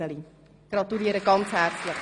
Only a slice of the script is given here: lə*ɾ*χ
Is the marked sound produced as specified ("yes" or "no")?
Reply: no